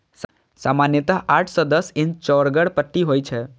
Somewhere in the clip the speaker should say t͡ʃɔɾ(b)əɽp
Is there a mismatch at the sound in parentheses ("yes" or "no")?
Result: yes